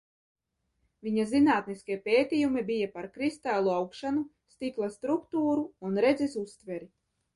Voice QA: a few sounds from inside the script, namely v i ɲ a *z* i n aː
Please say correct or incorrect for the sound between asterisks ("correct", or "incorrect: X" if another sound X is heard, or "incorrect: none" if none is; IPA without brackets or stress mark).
correct